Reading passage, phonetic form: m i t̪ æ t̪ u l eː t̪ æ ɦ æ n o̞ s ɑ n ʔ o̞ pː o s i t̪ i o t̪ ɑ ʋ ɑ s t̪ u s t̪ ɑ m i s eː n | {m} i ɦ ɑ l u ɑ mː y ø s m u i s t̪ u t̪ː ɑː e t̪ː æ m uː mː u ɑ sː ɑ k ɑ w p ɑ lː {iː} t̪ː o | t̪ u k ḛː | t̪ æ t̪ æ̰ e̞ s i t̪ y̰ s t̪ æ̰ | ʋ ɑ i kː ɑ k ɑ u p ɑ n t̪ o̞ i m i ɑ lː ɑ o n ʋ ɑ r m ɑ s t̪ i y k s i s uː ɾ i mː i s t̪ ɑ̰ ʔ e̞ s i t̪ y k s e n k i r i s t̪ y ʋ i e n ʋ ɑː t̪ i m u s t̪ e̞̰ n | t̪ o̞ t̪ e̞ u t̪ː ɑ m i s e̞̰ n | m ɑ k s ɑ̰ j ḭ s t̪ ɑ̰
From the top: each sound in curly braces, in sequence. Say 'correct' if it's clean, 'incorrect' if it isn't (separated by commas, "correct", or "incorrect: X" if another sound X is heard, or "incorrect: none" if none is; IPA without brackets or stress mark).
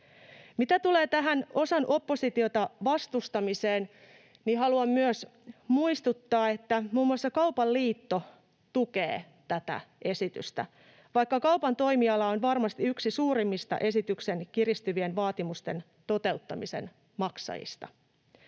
incorrect: n, correct